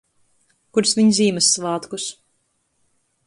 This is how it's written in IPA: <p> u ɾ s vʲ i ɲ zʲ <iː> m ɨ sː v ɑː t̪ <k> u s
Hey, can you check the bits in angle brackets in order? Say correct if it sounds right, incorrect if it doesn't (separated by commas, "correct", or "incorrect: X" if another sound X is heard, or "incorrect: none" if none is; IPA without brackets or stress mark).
incorrect: k, correct, correct